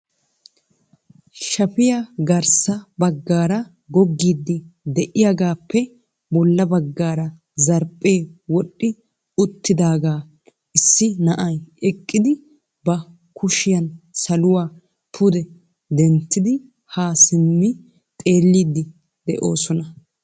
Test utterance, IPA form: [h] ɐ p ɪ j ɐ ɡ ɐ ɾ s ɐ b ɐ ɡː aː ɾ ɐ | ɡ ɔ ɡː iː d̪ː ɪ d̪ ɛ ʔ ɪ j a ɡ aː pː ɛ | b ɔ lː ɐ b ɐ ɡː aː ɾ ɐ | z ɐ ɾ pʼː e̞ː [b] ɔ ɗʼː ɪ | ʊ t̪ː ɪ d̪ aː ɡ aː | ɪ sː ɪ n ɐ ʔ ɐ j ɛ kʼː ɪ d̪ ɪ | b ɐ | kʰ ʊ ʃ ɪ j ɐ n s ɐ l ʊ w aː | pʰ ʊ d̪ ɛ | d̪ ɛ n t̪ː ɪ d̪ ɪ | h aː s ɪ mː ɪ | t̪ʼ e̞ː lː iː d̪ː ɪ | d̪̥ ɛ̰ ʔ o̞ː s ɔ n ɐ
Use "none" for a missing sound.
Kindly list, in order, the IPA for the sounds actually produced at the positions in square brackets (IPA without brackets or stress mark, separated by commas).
ʃ, w